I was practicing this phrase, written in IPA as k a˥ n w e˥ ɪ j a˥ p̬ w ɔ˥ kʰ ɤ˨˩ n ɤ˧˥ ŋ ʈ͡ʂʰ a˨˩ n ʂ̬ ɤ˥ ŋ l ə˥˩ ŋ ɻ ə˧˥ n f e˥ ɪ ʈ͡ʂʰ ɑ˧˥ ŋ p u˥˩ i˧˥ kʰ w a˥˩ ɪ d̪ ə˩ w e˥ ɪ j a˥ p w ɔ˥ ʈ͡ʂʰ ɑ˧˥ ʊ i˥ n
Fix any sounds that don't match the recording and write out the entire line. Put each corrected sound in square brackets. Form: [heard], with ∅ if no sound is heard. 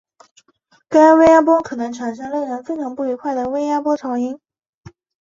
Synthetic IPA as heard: k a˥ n w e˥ ɪ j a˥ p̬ w ɔ˥ kʰ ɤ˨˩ n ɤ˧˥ ŋ ʈ͡ʂʰ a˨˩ n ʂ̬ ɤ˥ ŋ l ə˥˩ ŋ ɻ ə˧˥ n f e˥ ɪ ʈ͡ʂʰ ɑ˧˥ ŋ p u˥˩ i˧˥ kʰ w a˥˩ ɪ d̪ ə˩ w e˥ ɪ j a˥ p w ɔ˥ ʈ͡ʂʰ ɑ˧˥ ʊ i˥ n